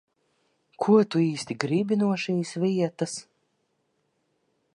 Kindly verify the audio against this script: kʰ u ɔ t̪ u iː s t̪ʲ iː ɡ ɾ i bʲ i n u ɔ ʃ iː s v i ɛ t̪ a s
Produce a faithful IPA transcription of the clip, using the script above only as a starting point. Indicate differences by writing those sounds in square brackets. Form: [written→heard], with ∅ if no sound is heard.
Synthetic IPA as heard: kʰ u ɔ t̪ u iː s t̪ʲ [iː→i] ɡ ɾ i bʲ i n u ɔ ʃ iː s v i ɛ t̪ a s